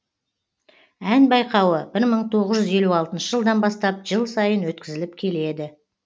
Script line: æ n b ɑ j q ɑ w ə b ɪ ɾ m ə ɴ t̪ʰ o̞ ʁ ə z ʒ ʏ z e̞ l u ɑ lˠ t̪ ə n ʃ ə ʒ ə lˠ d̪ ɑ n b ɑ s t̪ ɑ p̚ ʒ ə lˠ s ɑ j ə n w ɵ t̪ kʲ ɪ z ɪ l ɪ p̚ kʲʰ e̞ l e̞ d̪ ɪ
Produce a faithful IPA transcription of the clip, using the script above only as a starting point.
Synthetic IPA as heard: æ n b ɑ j q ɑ w ə b ɪ ɾ m ə ɴ t̪ʰ o̞ ʁ ə z ʒ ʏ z e̞ l u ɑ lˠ t̪ ə n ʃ ə ʒ ə lˠ d̪ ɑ n b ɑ s t̪ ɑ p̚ ʒ ə lˠ s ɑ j ə n w ɵ t̪ kʲ ɪ z ɪ l ɪ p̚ kʲʰ e̞ l e̞ d̪ ɪ